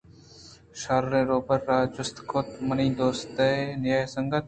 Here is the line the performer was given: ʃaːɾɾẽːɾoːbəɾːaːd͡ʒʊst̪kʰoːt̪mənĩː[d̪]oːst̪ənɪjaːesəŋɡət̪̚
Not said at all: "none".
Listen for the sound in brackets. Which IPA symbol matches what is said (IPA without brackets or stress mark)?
d̪